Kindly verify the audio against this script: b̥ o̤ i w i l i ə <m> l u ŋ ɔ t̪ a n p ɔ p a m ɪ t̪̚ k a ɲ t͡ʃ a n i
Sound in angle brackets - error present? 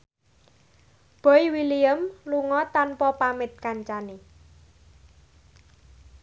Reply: no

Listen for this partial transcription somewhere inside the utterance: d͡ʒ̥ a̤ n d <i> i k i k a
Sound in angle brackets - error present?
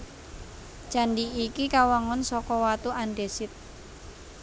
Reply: no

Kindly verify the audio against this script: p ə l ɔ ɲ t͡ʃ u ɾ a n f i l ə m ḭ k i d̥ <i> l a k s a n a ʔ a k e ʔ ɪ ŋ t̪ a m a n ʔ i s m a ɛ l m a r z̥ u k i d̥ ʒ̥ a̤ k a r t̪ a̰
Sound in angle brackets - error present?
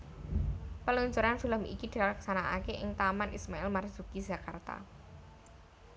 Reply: no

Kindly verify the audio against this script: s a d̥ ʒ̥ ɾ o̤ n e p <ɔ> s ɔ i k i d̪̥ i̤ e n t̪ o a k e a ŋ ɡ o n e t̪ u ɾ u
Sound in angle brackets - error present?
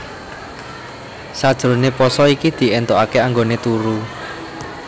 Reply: no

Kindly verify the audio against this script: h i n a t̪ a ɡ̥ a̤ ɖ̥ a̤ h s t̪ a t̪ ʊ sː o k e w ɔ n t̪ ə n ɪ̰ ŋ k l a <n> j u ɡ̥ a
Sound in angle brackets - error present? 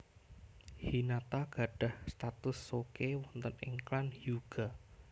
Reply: no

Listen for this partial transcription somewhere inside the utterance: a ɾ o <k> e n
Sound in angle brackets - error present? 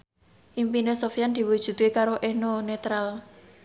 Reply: yes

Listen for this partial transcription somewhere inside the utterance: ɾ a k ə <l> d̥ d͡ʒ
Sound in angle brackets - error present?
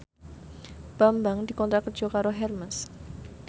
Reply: yes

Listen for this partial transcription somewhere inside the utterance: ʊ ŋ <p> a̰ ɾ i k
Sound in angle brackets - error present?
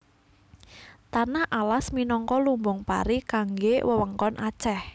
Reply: no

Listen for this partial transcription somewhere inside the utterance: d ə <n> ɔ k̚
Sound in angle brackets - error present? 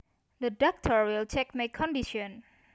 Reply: yes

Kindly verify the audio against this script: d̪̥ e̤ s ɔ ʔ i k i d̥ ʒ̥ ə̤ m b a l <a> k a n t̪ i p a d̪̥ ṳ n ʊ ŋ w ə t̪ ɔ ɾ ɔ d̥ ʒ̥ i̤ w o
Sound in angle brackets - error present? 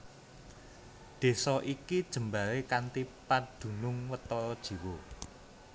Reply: yes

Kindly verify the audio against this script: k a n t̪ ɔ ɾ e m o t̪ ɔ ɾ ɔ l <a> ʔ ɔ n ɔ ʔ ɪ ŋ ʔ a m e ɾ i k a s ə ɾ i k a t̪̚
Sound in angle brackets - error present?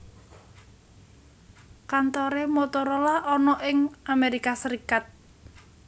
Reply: no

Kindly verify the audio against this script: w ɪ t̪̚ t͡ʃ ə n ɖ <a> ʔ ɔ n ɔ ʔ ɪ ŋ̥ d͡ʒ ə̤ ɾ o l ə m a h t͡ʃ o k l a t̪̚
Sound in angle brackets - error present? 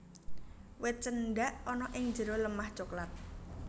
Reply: no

